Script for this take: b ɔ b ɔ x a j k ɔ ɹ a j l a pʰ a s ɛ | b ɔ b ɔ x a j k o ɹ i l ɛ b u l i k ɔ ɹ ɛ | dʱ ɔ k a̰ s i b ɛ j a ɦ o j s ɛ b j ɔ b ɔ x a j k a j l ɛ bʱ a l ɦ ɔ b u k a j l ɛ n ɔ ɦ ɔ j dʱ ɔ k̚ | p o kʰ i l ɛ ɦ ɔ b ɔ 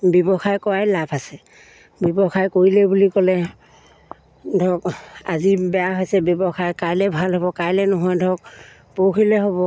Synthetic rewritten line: b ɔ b ɔ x a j k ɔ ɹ a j l a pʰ a s ɛ | b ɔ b ɔ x a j k o ɹ i l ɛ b u l i k ɔ l ɛ | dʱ ɔ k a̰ z i b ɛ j a ɦ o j s ɛ b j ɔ b ɔ x a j k a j l ɛ bʱ a l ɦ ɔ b ɔ k a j l ɛ n ɔ ɦ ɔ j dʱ ɔ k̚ | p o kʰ i l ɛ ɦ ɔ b ɔ